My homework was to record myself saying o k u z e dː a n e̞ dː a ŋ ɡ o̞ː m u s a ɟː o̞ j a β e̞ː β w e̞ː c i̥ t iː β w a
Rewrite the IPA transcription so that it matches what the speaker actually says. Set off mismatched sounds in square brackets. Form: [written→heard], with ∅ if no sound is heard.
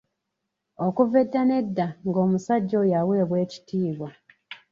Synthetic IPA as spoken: o k u [z→v] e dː a n e̞ dː a ŋ ɡ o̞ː m u s a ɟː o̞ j a [β→w] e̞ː β w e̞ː c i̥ t iː β w a